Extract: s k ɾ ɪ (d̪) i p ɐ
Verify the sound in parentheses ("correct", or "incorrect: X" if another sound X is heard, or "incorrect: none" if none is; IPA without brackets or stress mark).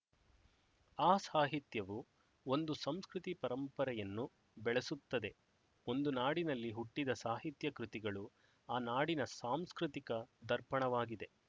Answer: incorrect: t̪